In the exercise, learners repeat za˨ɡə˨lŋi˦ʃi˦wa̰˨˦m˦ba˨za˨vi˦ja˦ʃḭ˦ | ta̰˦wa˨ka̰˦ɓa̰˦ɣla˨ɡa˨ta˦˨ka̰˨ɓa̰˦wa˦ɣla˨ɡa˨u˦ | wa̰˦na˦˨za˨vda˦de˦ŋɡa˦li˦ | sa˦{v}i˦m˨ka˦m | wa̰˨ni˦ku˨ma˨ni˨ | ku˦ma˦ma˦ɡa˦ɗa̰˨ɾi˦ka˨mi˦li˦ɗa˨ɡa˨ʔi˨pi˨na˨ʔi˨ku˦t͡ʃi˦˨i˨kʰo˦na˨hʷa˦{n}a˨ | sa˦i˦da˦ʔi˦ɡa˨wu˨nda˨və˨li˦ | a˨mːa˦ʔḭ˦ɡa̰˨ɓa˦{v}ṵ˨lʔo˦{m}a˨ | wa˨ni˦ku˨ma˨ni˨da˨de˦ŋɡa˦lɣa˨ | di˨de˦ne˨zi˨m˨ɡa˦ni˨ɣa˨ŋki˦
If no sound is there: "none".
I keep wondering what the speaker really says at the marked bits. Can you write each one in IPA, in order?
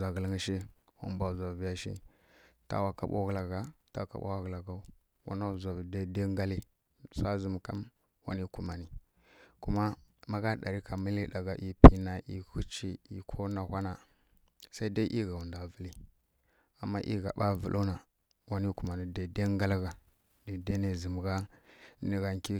z, n, v, n

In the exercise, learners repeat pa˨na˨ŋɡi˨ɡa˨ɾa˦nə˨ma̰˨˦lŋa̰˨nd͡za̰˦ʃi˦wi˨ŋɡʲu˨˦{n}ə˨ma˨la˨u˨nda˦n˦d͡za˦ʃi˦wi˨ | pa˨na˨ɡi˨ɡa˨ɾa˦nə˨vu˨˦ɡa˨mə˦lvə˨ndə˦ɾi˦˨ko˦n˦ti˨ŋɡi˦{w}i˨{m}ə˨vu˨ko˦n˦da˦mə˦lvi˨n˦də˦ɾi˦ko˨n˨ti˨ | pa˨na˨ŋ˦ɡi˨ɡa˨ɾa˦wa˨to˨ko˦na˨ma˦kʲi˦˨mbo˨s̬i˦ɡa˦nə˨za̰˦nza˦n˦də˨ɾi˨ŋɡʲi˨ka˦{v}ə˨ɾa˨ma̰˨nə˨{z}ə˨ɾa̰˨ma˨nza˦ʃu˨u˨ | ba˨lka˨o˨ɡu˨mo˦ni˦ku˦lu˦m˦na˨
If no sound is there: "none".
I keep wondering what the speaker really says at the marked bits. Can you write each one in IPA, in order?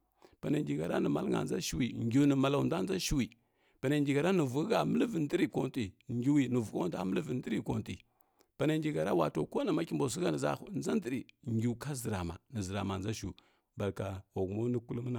n, w, n, z, z

